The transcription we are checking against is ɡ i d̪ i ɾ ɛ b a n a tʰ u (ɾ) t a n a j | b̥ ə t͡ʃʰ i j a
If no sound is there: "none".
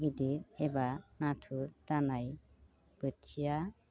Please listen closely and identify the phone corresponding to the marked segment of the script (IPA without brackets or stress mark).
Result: ɾ